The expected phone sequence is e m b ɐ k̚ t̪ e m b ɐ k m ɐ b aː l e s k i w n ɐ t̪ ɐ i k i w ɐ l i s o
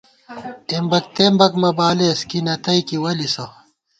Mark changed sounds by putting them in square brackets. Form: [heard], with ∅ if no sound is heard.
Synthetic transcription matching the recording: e m b ɐ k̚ t̪ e m b ɐ k m ɐ b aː l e s k i [∅] n ɐ t̪ ɐ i k i w ɐ l i s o